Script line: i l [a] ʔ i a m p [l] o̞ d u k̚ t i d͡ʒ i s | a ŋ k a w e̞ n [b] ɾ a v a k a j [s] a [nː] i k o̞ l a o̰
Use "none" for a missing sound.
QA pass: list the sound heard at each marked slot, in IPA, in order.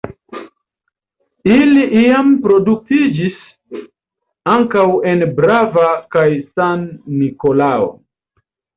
i, ɾ, b, s, nː

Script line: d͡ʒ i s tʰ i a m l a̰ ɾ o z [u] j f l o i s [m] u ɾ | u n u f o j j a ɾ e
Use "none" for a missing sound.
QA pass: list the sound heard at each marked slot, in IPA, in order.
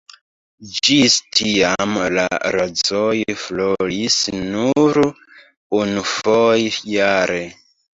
o, n

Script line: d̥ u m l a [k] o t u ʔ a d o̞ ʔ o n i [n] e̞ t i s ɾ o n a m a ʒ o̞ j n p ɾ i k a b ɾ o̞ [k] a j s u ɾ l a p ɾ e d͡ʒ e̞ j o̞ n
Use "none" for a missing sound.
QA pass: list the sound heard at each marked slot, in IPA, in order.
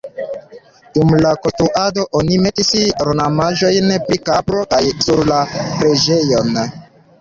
k, m, k

